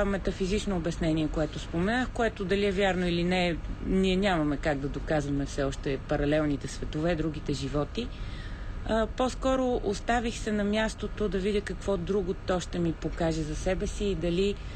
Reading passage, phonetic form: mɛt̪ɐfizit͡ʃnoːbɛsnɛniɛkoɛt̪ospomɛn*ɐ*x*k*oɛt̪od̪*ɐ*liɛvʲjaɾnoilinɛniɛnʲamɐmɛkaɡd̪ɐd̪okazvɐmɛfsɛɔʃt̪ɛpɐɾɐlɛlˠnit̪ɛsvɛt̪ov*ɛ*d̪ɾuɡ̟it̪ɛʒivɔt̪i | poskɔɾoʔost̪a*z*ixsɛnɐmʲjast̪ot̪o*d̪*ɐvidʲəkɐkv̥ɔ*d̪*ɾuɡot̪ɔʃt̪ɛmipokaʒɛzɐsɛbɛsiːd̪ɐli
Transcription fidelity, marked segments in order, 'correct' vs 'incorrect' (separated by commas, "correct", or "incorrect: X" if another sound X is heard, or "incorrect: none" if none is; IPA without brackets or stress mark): incorrect: a, correct, correct, correct, incorrect: v, correct, correct